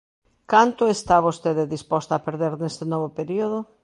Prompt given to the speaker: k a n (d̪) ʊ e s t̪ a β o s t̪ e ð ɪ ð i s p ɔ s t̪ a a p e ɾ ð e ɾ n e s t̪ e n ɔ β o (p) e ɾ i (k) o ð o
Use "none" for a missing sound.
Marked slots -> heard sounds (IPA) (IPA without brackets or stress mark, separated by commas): t̪, p, none